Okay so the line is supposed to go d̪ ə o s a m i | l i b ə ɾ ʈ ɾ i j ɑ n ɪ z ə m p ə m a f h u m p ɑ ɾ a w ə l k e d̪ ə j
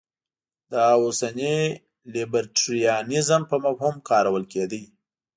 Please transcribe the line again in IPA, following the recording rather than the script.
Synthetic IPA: d̪ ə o s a n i | l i b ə ɾ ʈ ɾ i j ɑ n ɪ z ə m p ə m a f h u m k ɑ ɾ a w ə l k e d̪ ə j